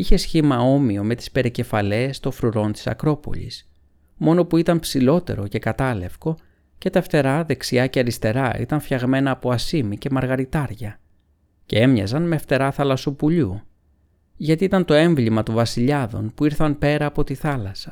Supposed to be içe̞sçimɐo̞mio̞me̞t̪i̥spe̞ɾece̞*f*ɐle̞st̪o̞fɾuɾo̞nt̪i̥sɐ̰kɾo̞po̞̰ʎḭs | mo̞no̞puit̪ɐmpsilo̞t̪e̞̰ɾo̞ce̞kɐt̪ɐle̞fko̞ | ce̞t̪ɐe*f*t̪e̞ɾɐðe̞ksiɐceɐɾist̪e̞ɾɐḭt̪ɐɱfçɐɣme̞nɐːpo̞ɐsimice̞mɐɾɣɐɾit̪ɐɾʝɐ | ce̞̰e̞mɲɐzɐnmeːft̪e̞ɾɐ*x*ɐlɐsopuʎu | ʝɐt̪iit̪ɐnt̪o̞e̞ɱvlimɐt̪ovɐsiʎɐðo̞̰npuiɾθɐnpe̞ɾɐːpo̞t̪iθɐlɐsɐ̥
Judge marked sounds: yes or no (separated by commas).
yes, yes, no